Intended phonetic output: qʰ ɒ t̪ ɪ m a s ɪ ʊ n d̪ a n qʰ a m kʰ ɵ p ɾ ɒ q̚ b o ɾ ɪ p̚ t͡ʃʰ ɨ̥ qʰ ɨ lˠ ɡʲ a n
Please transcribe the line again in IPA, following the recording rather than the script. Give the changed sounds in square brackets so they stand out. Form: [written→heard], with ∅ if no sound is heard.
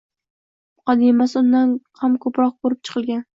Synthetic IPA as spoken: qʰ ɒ [t̪→d̪] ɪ m a s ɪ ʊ n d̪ a n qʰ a m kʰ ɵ p ɾ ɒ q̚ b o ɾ ɪ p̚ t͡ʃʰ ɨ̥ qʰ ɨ lˠ ɡʲ a n